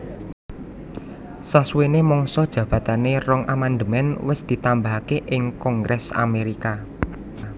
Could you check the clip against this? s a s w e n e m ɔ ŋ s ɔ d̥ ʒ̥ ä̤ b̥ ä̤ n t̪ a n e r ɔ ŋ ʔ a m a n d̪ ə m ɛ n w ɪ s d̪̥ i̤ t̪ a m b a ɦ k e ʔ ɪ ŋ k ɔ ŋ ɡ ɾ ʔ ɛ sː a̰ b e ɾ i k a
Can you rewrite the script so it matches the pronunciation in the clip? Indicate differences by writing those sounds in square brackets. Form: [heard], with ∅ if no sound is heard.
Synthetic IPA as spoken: s a s w e n e m ɔ ŋ s ɔ d̥ ʒ̥ ä̤ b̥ ä̤ [∅] t̪ a n e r ɔ ŋ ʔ a m a n d̪ ə m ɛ n w ɪ s d̪̥ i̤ t̪ a m b a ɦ k e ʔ ɪ ŋ k ɔ ŋ ɡ ɾ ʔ ɛ [s] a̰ [m] e ɾ i k a